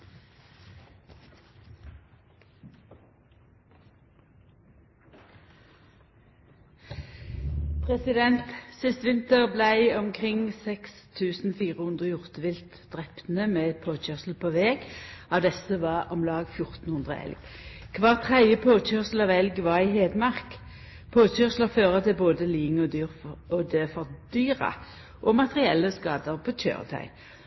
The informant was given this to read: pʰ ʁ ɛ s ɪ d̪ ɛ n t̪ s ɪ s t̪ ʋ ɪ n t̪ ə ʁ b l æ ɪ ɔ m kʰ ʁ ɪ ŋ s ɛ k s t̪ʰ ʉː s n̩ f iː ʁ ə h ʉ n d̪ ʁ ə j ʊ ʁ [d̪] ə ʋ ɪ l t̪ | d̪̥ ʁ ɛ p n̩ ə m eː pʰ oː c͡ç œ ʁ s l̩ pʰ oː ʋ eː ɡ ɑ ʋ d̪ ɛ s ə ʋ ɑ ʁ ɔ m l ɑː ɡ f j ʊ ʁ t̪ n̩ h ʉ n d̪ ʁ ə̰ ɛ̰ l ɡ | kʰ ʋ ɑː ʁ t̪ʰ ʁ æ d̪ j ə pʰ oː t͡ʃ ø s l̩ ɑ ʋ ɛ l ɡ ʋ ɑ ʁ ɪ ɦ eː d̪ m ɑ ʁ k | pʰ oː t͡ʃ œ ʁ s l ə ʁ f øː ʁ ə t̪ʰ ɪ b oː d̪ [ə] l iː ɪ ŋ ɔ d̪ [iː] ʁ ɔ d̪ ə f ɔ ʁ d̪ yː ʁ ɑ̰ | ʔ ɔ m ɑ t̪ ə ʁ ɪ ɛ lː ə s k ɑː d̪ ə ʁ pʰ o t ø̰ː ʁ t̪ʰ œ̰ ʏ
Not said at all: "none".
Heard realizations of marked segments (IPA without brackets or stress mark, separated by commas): t̪, ə, yː